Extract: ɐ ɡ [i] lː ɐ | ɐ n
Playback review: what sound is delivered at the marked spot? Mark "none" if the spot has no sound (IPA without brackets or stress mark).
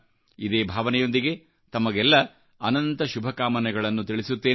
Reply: ɛ